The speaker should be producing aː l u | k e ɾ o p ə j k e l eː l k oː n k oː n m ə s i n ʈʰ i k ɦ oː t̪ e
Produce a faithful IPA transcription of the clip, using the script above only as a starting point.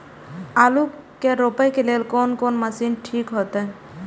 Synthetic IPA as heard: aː l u | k e ɾ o p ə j k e l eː l k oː n k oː n m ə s i n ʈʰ i k ɦ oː t̪ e

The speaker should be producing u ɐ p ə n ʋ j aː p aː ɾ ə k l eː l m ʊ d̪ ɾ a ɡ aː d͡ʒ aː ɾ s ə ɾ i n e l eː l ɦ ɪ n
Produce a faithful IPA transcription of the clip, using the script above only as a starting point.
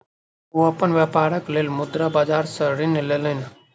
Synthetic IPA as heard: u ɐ p ə n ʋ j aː p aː ɾ ə k l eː l m ʊ d̪ ɾ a b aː d͡ʒ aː ɾ s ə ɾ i n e l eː l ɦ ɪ n

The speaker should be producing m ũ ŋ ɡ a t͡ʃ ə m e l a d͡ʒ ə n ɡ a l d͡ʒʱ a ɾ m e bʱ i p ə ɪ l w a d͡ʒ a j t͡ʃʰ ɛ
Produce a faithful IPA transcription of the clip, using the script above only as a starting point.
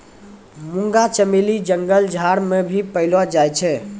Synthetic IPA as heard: m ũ ŋ ɡ a t͡ʃ ə m e l i d͡ʒ ə ŋ ɡ ə l d͡ʒʱ a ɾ m e bʱ i p ə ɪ l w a d͡ʒ a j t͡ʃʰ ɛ

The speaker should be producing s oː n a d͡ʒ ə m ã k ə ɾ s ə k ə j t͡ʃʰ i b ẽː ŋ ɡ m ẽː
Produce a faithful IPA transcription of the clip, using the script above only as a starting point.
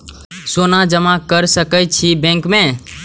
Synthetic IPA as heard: s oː n a d͡ʒ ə m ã k ə ɾ s ə k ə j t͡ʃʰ i b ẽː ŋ k m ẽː

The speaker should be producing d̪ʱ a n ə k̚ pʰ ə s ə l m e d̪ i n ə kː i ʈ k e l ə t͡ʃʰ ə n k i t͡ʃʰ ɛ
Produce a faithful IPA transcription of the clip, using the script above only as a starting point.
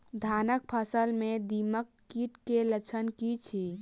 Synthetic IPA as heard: d̪ʱ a n ə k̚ pʰ ə s ə l m e d̪ i m ə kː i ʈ k e l ə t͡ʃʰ ə n k i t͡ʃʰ i

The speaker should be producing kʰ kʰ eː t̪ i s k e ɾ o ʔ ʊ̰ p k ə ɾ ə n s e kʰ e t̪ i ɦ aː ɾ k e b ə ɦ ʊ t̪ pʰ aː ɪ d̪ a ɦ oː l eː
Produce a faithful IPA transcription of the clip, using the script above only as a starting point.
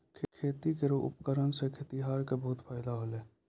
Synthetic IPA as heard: kʰ kʰ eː t̪ i k e ɾ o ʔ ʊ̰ p k ə ɾ ə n s e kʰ e t̪ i ɦ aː ɾ k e b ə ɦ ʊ t̪ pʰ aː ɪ d̪ a ɦ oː l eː

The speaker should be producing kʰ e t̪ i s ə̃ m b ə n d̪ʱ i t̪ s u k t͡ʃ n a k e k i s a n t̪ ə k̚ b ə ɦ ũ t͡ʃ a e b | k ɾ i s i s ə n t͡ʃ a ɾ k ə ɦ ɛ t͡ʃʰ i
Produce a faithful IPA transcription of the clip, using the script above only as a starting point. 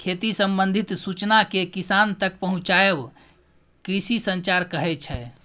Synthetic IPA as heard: kʰ e t̪ i s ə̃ m b ə n d̪ʱ i t̪ s u t͡ʃ n a k e k i s a n t̪ ə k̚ p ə ɦ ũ t͡ʃ a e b | k ɾ i s i s ə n t͡ʃ a ɾ k ə ɦ ɛ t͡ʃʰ ɛ

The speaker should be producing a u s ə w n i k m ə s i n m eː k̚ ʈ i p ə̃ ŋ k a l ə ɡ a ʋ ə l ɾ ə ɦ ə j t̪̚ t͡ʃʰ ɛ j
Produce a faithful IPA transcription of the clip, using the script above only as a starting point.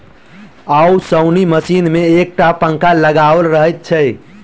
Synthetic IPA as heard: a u s ə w n i m ə s i n m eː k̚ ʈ a p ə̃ ŋ k a l ə ɡ a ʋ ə l ɾ ə ɦ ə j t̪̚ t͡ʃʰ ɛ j

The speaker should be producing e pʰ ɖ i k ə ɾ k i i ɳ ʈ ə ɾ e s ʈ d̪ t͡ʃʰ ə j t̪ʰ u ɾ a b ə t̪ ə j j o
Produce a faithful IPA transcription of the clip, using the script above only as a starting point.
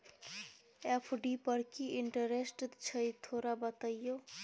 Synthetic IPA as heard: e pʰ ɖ i p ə ɾ k i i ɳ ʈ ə ɾ e s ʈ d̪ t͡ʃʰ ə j t̪ʰ o ɾ a b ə t̪ ə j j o

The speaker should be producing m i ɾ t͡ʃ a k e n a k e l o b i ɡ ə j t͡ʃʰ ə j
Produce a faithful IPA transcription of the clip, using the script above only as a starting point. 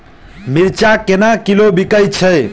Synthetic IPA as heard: m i ɾ t͡ʃ a k e n a k i l o b i k ə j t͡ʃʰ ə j

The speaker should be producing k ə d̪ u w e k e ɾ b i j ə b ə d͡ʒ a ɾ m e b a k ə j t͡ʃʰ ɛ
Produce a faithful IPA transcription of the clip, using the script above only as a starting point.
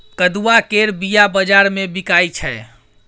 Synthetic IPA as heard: k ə d̪ u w a k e ɾ b i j a b ə d͡ʒ a ɾ m e b i k a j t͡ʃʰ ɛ

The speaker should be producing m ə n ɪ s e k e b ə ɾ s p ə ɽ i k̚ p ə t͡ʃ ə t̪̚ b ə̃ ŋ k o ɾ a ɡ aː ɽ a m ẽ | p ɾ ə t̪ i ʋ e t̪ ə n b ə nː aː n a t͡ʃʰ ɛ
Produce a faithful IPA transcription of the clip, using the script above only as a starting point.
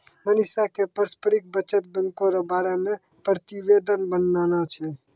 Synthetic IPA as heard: m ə n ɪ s a k e p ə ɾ s p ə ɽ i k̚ b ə t͡ʃ ə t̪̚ b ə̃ ŋ k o ɾ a b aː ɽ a m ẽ | p ɾ ə t̪ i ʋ e d̪ ə n b ə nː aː n a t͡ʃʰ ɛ

